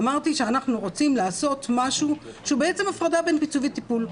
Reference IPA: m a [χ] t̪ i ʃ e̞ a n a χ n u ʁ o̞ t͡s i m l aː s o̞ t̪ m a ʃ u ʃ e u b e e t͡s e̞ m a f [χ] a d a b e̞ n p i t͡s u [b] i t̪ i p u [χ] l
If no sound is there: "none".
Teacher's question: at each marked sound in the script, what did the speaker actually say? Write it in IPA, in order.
ʁ, ʁ, v, none

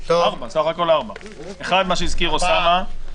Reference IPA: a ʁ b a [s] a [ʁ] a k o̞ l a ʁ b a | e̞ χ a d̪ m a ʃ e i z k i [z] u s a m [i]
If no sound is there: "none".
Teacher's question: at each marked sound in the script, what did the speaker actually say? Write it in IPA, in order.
s, χ, ʁ, a

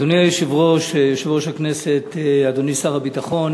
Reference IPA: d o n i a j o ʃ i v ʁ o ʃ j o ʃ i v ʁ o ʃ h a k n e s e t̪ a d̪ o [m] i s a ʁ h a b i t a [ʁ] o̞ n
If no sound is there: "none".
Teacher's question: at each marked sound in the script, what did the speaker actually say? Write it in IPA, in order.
n, χ

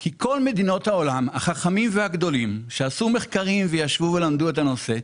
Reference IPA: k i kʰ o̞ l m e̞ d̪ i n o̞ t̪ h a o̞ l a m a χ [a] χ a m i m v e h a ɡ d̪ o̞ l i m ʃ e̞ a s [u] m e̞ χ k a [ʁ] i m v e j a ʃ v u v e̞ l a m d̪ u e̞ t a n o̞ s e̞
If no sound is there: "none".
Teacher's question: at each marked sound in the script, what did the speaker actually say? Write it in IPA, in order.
a, u, ʁ

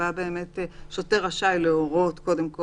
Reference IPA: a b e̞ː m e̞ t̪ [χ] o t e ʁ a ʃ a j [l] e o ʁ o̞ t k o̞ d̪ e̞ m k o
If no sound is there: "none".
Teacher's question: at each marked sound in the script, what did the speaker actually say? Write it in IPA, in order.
ʃ, l

